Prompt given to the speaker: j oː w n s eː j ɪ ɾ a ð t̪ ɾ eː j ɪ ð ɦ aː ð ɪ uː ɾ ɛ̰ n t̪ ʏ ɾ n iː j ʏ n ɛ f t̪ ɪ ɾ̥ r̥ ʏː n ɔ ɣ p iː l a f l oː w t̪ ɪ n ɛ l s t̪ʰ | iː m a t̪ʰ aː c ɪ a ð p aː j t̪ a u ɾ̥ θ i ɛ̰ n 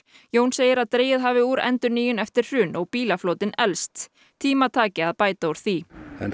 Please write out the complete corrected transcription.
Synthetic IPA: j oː w n s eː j ɪ ɾ a ð t̪ ɾ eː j ɪ ð ɦ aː v ɪ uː ɾ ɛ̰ n t̪ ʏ ɾ n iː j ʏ n ɛ f t̪ ɪ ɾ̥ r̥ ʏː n ɔ ɣ p iː l a f l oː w t̪ ɪ n ɛ l s t̪ʰ | iː m a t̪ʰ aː c ɪ a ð p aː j t̪ a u ɾ̥ θ i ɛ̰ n